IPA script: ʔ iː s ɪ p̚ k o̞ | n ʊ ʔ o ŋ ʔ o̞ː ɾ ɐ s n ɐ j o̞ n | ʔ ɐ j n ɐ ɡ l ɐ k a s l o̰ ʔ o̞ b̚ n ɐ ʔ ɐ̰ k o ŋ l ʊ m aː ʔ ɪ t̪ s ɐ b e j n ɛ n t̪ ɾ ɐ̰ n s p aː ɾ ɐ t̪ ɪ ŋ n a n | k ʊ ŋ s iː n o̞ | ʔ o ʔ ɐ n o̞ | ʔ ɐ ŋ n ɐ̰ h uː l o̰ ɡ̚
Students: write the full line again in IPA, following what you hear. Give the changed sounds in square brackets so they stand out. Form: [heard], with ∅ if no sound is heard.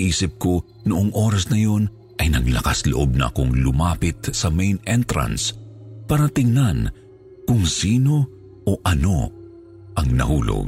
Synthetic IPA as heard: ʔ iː s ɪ p̚ k o̞ | n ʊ ʔ o ŋ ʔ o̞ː ɾ ɐ s n ɐ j o̞ n | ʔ ɐ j n ɐ ɡ l ɐ k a s l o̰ ʔ o̞ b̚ n ɐ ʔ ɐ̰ k o ŋ l ʊ m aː [p] ɪ t̪ s ɐ [m] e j n ɛ n t̪ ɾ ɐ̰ n s p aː ɾ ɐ t̪ ɪ ŋ n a n | k ʊ ŋ s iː n o̞ | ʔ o ʔ ɐ n o̞ | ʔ ɐ ŋ n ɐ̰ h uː l o̰ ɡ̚